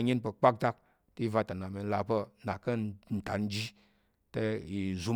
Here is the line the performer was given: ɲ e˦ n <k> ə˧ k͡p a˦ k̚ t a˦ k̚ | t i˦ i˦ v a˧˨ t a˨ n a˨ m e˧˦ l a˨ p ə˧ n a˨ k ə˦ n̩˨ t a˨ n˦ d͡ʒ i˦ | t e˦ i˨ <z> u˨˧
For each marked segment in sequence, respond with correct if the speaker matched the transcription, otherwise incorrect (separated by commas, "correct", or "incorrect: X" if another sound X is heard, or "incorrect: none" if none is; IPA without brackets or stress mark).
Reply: incorrect: p, correct